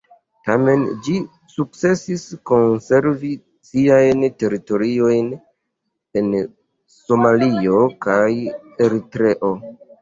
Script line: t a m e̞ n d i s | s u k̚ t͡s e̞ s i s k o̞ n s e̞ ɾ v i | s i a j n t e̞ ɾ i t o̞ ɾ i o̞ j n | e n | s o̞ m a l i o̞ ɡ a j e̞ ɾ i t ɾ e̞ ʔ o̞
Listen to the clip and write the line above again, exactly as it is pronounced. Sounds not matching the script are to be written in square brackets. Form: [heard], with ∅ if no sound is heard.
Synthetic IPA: t a m e̞ n [d͡ʒ] i [∅] | s u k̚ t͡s e̞ s i s k o̞ n s e̞ ɾ v i | s i a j n t e̞ ɾ i t o̞ ɾ i o̞ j n | e n | s o̞ m a l i o̞ [k] a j e̞ ɾ i t ɾ e̞ ʔ o̞